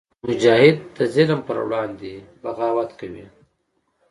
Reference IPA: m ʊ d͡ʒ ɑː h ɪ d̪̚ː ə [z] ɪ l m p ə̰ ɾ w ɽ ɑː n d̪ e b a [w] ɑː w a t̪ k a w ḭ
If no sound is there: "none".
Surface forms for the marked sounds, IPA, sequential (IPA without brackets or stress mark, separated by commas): z, ɣ